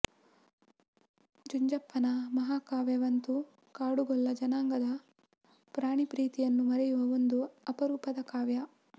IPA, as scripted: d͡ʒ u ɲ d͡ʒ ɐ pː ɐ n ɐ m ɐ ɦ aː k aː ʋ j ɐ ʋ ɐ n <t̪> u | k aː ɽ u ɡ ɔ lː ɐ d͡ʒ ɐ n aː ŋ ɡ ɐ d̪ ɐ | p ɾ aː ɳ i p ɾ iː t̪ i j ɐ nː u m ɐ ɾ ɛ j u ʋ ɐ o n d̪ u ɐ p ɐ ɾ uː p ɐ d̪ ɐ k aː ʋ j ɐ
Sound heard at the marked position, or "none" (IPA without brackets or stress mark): t̪